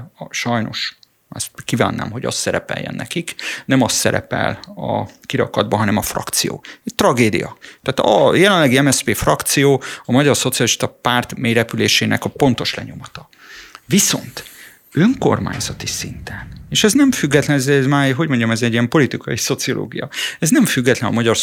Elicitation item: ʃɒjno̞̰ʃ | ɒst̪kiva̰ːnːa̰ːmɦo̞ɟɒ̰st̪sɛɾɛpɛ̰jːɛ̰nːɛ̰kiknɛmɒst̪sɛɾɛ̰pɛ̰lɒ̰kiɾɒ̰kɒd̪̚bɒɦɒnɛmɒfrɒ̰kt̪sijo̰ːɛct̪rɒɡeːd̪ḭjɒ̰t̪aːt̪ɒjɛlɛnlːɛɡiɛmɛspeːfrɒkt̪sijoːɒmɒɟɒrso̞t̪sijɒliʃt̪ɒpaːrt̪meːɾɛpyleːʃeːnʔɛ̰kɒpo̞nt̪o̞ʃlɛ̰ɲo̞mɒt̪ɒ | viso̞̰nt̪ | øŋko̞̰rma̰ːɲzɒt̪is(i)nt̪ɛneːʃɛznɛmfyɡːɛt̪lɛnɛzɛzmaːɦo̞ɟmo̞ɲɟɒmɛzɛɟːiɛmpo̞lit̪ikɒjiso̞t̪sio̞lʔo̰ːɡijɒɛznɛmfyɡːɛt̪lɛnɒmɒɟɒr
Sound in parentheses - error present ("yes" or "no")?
no